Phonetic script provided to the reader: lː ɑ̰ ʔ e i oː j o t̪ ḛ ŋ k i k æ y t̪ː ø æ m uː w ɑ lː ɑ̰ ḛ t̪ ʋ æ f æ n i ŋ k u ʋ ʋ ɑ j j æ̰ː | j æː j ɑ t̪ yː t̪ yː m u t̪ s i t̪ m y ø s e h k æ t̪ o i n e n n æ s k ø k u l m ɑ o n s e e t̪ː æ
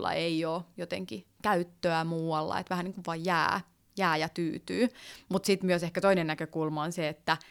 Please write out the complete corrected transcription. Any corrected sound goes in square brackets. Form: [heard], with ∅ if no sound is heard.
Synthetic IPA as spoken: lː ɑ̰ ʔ e i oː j o t̪ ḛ ŋ k i k æ y t̪ː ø æ m uː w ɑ lː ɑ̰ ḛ t̪ ʋ æ [h] æ n i ŋ k u ʋ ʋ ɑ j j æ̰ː | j æː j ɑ t̪ yː t̪ yː m u t̪ s i t̪ m y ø s e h k æ t̪ o i n e n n æ [∅] k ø k u l m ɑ o n s e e t̪ː æ